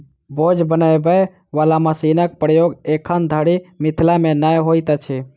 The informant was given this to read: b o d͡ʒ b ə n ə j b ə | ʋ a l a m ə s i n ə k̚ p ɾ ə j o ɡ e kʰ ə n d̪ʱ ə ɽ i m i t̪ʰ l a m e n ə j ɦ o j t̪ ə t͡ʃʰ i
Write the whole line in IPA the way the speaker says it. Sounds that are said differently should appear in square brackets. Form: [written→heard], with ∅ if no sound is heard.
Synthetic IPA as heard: b o d͡ʒ b ə n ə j b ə | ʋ a l a m ə s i n ə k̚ p ɾ ə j o ɡ e kʰ ə n d̪ʱ ə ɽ i m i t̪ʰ l a m e n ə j ɦ o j t̪ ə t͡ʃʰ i